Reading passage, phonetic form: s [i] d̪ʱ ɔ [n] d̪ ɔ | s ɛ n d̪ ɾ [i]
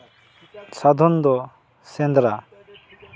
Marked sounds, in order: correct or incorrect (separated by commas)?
incorrect, correct, incorrect